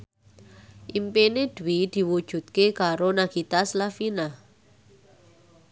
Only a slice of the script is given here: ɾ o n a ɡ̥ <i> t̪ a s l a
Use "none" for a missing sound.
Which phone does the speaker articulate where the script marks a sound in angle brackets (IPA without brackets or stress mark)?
i